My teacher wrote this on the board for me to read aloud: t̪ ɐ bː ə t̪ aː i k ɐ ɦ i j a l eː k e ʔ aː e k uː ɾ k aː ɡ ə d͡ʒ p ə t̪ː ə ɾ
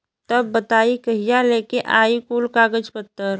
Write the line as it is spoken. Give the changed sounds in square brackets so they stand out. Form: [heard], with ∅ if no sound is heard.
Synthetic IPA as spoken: t̪ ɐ bː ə t̪ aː i k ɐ ɦ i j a l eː k e ʔ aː [i] k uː [l] k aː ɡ ə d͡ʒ p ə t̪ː ə ɾ

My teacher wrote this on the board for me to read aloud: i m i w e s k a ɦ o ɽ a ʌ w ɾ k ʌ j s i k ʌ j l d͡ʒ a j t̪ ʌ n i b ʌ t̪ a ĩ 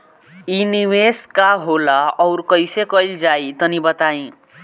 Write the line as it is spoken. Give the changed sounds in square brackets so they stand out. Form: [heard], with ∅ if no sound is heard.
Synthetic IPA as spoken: i [n] i w e s k a ɦ o [l] a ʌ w ɾ k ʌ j s [e] k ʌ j l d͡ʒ a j t̪ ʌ n i b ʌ t̪ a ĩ

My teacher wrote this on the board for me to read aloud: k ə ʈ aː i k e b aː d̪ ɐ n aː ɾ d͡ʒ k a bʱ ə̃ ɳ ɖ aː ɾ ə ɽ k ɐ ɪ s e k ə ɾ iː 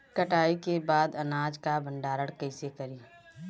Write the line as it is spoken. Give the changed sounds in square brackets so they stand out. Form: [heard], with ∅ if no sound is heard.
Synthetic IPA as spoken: k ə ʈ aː i k e b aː d̪ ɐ n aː [∅] d͡ʒ k a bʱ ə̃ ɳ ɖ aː ɾ ə ɽ k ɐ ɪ s e k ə ɾ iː

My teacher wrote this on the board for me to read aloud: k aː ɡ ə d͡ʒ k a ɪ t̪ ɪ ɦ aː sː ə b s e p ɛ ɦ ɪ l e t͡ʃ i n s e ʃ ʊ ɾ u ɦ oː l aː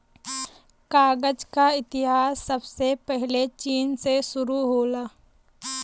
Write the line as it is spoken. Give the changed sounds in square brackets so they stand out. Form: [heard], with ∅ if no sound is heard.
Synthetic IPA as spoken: k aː ɡ ə d͡ʒ k a ɪ t̪ ɪ ɦ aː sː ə b s e p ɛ ɦ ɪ l e t͡ʃ [iː] n s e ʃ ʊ ɾ u ɦ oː l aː

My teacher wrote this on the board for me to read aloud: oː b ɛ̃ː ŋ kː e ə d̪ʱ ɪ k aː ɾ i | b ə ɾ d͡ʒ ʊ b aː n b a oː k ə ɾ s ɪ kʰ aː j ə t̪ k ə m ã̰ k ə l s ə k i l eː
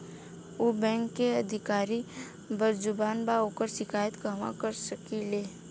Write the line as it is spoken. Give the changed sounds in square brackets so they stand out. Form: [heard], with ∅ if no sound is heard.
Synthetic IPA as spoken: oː b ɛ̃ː ŋ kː e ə d̪ʱ ɪ k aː ɾ i | b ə ɾ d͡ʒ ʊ b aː n b a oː k ə ɾ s ɪ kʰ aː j ə t̪ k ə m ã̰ k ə [ɾ] s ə k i l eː

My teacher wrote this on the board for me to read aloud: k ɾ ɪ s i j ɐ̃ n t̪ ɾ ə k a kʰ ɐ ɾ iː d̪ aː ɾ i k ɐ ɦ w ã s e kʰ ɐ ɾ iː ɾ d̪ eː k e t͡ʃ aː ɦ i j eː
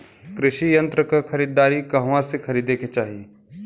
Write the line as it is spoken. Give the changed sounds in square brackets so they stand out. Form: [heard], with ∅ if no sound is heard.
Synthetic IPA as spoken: k ɾ ɪ [ʃ] i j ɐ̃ n t̪ ɾ ə k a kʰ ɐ ɾ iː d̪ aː ɾ i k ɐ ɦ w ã s e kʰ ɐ ɾ iː [∅] d̪ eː k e t͡ʃ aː ɦ i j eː

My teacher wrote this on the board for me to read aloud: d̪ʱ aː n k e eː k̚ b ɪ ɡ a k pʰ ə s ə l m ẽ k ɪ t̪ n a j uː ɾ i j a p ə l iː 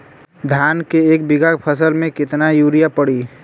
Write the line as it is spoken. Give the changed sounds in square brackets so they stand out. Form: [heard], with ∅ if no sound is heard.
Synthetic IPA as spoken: d̪ʱ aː n k e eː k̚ b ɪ ɡ a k pʰ ə s ə l m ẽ k ɪ t̪ n a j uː ɾ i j a p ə [ɽ] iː

